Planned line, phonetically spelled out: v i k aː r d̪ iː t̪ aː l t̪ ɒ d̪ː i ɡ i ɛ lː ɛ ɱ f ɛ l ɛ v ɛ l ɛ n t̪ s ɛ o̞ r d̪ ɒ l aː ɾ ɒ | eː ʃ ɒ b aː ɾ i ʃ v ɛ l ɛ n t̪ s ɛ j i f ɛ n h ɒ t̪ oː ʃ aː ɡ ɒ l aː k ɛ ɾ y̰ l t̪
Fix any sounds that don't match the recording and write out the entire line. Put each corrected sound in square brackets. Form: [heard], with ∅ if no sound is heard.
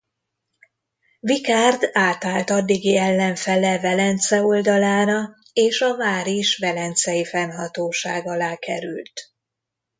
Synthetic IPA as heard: v i k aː r d̪ [aː] t̪ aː l t̪ ɒ d̪ː i ɡ i ɛ lː ɛ ɱ f ɛ l ɛ v ɛ l ɛ n t̪ s ɛ o̞ [l] d̪ ɒ l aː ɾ ɒ | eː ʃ ɒ [v] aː ɾ i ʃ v ɛ l ɛ n t̪ s ɛ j i f ɛ n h ɒ t̪ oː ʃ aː ɡ ɒ l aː k ɛ ɾ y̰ l t̪